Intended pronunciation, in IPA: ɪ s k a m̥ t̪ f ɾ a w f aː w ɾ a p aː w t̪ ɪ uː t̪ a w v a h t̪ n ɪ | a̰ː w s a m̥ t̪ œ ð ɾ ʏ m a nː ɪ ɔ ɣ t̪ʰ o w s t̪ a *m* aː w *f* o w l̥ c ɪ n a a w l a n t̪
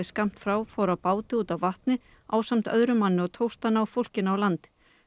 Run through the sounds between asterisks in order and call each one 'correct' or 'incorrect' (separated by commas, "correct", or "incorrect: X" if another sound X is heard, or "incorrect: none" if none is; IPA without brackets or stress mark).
incorrect: n, correct